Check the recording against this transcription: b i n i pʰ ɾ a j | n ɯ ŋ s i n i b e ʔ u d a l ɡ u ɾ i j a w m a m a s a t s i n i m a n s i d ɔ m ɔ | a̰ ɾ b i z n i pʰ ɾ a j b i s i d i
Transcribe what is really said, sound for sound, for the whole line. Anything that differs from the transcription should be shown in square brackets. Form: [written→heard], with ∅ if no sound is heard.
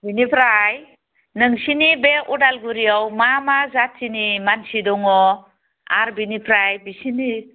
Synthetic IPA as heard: b i n i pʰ ɾ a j | n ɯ ŋ s i n i b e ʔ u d a l ɡ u ɾ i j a w m a m a [s→z] a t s i n i m a n s i d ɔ [m→ŋ] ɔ | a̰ ɾ b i [z→∅] n i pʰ ɾ a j b i s i [d→n] i